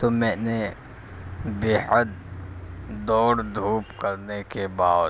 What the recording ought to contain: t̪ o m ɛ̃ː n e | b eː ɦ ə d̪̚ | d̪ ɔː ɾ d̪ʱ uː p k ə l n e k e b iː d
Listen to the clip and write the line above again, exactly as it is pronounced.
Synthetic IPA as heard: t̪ o m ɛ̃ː n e | b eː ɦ ə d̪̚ | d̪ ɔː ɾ d̪ʱ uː p k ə ɾ n e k e b aː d